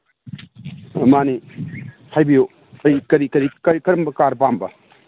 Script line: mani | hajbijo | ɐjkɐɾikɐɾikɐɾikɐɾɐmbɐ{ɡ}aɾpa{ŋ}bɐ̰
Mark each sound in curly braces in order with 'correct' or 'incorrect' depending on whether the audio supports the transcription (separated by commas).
incorrect, incorrect